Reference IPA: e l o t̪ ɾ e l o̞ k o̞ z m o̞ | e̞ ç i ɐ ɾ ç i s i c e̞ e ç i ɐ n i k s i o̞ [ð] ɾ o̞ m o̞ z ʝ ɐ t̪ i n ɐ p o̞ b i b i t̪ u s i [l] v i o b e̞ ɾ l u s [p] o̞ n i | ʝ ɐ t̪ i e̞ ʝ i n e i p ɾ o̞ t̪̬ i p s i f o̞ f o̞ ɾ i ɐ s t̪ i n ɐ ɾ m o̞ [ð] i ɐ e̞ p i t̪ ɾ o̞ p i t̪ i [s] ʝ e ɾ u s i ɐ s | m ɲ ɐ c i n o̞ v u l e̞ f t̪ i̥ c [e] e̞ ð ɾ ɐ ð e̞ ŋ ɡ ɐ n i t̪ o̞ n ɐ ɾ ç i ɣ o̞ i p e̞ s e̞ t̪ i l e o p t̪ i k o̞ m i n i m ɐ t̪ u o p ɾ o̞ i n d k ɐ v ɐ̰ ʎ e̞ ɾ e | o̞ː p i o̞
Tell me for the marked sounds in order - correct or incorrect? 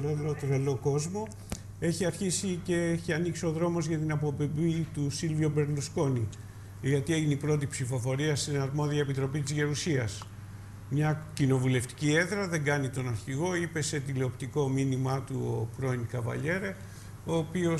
correct, correct, incorrect, correct, incorrect, incorrect

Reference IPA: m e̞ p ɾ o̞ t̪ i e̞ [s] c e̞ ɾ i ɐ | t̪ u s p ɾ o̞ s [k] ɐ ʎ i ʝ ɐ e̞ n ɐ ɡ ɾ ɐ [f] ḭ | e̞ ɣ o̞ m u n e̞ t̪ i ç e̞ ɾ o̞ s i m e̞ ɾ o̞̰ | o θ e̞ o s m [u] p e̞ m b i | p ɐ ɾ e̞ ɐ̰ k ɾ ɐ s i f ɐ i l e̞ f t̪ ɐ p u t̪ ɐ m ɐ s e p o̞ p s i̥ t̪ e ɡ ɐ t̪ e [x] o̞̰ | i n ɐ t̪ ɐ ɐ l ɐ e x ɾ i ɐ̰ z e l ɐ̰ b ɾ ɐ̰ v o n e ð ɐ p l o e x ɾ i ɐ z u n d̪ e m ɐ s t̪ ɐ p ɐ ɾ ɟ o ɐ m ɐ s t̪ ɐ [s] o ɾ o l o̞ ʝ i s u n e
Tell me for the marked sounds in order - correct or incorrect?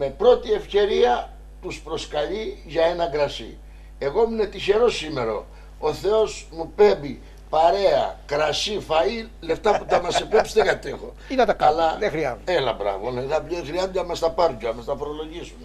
incorrect, correct, incorrect, correct, correct, incorrect

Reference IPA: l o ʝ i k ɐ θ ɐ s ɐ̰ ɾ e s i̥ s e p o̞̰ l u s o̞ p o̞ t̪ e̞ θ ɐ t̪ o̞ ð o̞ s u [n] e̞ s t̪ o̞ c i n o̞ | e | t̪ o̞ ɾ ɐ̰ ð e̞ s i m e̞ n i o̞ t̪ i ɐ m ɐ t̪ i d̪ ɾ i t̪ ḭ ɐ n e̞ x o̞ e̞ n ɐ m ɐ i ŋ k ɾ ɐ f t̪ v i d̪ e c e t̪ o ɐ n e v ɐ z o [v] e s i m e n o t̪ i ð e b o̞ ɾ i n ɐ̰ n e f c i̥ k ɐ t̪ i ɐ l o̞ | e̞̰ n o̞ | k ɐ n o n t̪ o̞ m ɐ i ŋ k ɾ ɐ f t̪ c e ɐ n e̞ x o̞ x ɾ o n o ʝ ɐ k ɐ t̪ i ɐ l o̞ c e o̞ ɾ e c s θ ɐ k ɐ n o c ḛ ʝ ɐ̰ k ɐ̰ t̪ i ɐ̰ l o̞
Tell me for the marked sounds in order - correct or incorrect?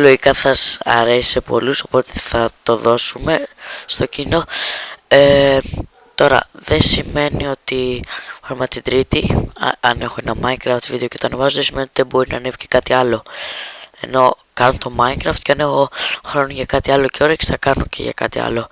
incorrect, incorrect

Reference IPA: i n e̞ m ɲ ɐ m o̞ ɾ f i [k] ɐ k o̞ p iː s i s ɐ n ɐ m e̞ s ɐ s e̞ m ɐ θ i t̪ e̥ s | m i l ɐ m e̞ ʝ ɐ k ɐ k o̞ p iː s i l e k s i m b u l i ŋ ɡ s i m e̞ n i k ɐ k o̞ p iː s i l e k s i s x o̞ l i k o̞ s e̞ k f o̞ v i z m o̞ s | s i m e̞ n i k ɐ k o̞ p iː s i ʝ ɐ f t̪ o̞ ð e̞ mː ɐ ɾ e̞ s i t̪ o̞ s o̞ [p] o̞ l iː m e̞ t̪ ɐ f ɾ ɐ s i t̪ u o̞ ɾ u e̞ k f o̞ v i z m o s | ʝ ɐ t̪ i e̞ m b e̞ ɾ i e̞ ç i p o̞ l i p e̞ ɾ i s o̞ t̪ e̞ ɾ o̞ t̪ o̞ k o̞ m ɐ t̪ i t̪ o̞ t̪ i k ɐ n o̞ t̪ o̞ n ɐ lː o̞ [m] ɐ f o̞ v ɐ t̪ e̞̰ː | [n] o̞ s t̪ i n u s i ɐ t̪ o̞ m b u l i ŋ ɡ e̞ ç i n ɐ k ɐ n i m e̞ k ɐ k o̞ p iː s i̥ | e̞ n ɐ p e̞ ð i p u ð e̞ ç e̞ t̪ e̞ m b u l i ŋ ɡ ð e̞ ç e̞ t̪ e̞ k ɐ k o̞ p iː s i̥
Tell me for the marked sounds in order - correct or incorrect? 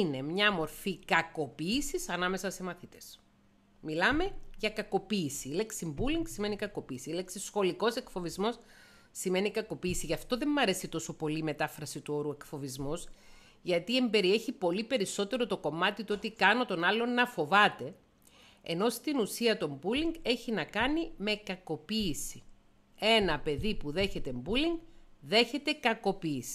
correct, correct, incorrect, correct

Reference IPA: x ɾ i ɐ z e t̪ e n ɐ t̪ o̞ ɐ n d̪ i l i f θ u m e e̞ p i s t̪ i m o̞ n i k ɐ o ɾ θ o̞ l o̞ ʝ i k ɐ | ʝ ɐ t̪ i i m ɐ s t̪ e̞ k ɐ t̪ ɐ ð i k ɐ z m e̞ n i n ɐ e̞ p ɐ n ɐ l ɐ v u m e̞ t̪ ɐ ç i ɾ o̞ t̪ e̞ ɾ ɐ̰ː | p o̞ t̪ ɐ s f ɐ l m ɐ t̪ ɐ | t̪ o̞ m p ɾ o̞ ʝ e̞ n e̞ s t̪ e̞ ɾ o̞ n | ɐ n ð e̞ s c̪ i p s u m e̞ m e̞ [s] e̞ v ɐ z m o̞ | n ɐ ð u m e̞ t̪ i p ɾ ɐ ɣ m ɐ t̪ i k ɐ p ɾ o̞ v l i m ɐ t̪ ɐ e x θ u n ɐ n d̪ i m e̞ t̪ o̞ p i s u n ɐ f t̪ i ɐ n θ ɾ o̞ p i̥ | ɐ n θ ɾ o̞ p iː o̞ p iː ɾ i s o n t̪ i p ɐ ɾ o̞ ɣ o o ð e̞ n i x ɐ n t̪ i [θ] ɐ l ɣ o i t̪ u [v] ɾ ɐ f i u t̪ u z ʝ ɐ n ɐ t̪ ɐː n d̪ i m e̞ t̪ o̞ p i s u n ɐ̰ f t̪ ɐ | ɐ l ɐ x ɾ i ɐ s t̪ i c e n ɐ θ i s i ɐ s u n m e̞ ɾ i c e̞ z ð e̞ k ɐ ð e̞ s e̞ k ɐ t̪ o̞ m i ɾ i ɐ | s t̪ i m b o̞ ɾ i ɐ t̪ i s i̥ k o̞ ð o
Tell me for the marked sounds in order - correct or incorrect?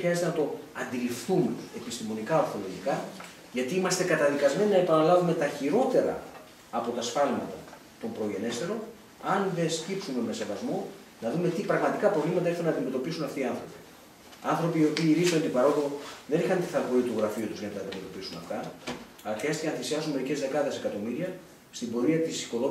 correct, correct, incorrect

